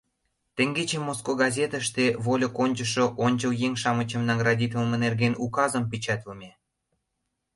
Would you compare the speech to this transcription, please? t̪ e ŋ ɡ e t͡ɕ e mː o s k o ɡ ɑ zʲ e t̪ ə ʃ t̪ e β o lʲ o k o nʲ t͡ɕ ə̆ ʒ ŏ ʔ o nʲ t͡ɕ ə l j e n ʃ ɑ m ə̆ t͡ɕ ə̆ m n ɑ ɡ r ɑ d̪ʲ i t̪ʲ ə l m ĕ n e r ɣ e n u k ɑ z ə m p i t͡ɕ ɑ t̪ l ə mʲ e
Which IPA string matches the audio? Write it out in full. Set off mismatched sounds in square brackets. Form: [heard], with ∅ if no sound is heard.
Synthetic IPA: t̪ e ŋ ɡ e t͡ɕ e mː o s k o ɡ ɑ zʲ e t̪ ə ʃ t̪ e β o lʲ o k o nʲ t͡ɕ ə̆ [ʃ] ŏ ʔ o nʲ t͡ɕ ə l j e [ŋ] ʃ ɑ m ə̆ t͡ɕ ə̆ m n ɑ ɡ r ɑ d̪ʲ i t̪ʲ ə l m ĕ n e r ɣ e n u k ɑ z ə m p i t͡ɕ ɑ t̪ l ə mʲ e